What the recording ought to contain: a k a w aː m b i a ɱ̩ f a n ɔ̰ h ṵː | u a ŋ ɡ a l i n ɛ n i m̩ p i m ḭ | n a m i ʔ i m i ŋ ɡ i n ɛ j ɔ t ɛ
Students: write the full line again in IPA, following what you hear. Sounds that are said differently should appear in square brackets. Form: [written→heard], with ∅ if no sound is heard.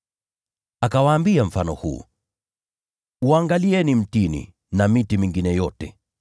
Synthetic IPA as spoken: a k a w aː m b i a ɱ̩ f a n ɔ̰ h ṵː | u a ŋ ɡ a l i [n→∅] ɛ n i m̩ [p→t] i [m→n] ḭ | n a m i [ʔ→t] i m i ŋ ɡ i n ɛ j ɔ t ɛ

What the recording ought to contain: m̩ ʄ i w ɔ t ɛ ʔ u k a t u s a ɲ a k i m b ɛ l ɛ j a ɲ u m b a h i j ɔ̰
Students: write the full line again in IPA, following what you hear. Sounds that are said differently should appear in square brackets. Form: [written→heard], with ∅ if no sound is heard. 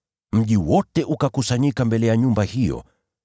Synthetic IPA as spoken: m̩ ʄ i w ɔ t ɛ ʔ u k a [t→k] u s a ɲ [a→i] k [i→a] m b ɛ l ɛ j a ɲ u m b a h i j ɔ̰

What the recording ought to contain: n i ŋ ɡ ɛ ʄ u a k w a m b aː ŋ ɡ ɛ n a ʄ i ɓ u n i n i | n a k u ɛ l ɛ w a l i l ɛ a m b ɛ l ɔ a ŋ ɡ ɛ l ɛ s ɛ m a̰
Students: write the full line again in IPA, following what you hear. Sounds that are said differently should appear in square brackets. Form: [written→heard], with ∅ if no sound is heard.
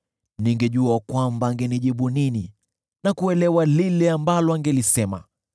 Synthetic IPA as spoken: n i ŋ ɡ ɛ ʄ u a k w a m b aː ŋ ɡ ɛ n [a→i] ʄ i ɓ u n i n i | n a k u ɛ l ɛ w a l i l ɛ a m b [ɛ→a] l ɔ a ŋ ɡ ɛ l [ɛ→i] s ɛ m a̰

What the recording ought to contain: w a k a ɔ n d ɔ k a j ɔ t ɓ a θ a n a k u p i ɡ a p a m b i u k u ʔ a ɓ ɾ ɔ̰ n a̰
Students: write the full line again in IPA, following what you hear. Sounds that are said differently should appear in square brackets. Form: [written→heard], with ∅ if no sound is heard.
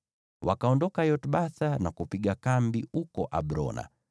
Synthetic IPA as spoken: w a k a ɔ n d ɔ k a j ɔ t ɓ a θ a n a k u p i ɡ a [p→k] a m b i u k [u→ɔ] ʔ a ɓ ɾ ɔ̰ n a̰

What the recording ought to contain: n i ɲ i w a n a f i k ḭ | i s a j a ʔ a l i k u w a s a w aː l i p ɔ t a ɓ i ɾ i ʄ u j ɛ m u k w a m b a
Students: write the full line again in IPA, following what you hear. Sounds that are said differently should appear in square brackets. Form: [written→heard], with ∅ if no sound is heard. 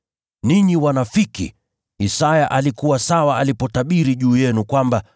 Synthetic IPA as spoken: n i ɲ i w a n a f i k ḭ | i s a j a ʔ a l i k u w a s a w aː l i p ɔ t a ɓ i ɾ i ʄ [u→uː] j ɛ [m→n] u k w a m b a

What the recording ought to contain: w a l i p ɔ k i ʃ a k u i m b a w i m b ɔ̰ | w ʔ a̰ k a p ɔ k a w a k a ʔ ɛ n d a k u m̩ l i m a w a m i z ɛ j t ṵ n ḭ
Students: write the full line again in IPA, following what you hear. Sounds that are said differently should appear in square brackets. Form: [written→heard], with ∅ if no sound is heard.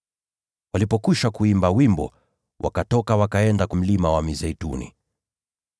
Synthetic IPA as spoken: w a l i p ɔ k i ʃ a k u i m b a w i m b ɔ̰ | w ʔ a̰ k a [p→t] ɔ k a w a k a [ʔ→∅] ɛ n d a k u m̩ l i m a w a m i z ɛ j t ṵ n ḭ

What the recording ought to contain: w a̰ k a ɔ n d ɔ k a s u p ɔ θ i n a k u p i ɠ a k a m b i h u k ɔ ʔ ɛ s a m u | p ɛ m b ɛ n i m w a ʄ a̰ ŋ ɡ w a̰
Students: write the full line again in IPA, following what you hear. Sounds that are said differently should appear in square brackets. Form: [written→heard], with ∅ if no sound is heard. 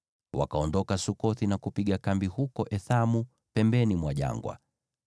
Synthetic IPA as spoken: w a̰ k a ɔ n d ɔ k a s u [p→k] ɔ θ i n a k u p i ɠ a k a m b i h u k ɔ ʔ ɛ [s→θ] a m u | p ɛ m b ɛ n i m w a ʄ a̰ ŋ ɡ w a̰

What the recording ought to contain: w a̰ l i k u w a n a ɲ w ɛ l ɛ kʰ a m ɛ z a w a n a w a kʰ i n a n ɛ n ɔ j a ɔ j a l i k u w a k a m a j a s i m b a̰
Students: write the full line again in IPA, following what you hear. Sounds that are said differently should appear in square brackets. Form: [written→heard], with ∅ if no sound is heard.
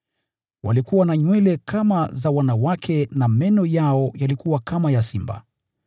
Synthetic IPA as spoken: w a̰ l i k u w a n a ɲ w ɛ l ɛ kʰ a m [ɛ→a] z a w a n a w a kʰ [i→ɛ] n a [n→m] ɛ n ɔ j a ɔ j a l i k u w a k a m a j a s i m b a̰

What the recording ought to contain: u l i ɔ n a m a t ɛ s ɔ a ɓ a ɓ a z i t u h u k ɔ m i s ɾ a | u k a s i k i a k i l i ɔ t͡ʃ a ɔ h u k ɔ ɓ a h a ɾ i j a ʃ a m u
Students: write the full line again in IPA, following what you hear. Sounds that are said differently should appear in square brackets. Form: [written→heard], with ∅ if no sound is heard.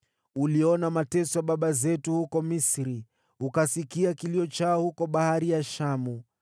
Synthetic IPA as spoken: u l i ɔ n a m a t ɛ s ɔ a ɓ a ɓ a z [i→ɛ] t u h u k ɔ m i s ɾ [a→i] | u k a s i k i a k i l i ɔ t͡ʃ a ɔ h u k ɔ ɓ a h a ɾ i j a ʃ a m u

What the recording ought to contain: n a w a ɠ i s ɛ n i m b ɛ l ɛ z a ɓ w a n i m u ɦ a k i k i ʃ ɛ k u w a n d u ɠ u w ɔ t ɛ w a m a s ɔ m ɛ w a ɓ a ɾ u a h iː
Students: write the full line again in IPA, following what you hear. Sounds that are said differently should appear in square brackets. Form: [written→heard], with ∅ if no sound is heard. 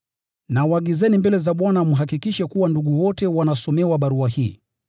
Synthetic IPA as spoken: n a w a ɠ i [s→z] ɛ n i m b ɛ l ɛ z a ɓ w a n [i→a] m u ɦ a k i k i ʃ ɛ k u w a n d u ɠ u w ɔ t ɛ w a [m→n] a s ɔ m ɛ w a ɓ a ɾ u a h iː

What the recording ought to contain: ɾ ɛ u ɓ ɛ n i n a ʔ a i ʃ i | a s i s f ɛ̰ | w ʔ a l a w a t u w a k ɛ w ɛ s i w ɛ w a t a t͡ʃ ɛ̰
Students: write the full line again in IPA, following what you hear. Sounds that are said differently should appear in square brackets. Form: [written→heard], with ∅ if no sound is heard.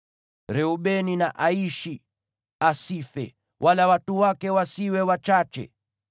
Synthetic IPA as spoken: ɾ ɛ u ɓ ɛ n i n a ʔ a i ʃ i | a s i [s→∅] f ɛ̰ | w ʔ a l a w a t u w a k ɛ w [ɛ→a] s i w ɛ w a [t→t͡ʃ] a t͡ʃ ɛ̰

